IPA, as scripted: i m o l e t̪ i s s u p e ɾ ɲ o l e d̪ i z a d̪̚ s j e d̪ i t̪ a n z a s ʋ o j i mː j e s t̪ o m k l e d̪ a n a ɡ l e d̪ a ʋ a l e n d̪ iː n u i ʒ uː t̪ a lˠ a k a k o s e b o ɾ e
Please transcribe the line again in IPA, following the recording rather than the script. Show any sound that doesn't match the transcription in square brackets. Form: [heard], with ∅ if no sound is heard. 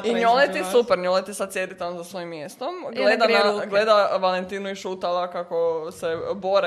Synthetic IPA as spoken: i [ɲ] o l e t̪ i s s u p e ɾ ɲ o l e [t̪] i [s] a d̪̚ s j e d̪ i t̪ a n z a s ʋ o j i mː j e s t̪ o m [ɡ] l e d̪ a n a ɡ l e d̪ a ʋ a l e n [t̪] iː n u i [ʃ] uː t̪ a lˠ a k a k o s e b o ɾ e